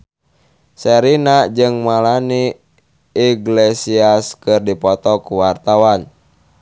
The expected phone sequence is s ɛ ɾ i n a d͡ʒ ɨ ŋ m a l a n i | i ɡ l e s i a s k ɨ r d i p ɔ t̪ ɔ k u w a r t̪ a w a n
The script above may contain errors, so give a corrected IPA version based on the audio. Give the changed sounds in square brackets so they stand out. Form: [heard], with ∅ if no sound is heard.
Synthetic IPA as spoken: s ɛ ɾ i n a d͡ʒ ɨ ŋ m a l a n i | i ɡ l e s i a s k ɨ r d i p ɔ t̪ ɔ k u w a r t̪ a w a n